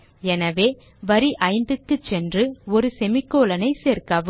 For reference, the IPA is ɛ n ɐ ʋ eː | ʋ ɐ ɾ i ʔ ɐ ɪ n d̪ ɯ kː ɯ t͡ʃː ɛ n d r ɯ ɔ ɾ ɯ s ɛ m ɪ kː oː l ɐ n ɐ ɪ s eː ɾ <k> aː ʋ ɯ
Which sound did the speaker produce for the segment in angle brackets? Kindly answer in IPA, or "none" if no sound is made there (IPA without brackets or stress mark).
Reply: k